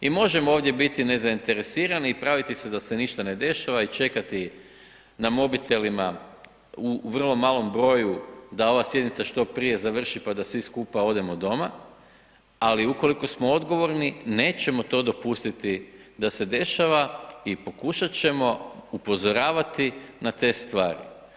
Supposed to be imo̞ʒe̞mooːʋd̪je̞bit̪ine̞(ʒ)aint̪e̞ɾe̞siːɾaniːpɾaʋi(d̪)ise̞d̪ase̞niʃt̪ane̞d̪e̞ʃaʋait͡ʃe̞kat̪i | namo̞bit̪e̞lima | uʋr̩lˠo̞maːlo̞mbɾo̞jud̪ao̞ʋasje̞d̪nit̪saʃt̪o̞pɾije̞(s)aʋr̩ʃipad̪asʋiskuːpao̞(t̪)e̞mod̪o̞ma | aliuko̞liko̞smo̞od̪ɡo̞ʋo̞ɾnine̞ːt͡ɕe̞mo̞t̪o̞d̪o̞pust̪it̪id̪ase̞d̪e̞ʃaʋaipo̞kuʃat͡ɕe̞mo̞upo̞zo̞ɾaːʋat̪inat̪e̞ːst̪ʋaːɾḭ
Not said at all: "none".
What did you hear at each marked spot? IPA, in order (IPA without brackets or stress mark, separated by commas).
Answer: z, t̪, z, d̪